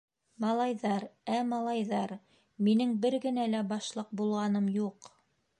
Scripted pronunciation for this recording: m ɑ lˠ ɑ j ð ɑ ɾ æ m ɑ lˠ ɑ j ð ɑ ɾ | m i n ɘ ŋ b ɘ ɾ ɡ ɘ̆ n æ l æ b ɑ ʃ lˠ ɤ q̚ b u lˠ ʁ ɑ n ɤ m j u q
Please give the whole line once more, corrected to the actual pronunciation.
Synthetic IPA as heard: m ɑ lˠ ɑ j ð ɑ ɾ æ m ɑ lˠ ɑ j ð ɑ ɾ | m i n ɘ ŋ b ɘ ɾ ɡ ɘ̆ n æ l æ b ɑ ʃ lˠ ɤ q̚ b u lˠ ʁ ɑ n ɤ m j u q